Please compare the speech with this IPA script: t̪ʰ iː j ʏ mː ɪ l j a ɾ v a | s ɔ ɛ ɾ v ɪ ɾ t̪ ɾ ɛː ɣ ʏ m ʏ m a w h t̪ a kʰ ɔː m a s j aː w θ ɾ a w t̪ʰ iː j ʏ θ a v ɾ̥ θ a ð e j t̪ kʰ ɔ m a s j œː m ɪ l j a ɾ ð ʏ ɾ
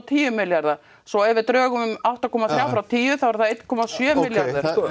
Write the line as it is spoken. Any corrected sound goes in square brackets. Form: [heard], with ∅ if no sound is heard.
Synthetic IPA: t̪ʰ iː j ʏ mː ɪ l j a ɾ [ð] a | s ɔ ɛ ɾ v ɪ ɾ t̪ ɾ [œː] ɣ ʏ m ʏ m a w h t̪ a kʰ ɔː m a [θ] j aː w [f] ɾ a w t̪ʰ iː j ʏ θ a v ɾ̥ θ a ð e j t̪ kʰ ɔ m a s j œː m ɪ l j a ɾ ð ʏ ɾ